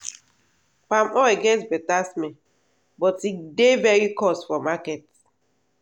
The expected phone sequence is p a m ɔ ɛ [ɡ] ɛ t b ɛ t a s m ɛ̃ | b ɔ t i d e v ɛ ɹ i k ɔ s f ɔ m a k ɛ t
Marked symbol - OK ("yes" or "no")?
yes